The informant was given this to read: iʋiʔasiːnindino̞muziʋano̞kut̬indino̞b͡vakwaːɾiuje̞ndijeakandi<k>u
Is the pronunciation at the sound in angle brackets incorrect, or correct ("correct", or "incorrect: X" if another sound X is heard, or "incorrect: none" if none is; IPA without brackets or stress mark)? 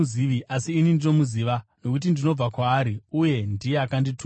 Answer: incorrect: t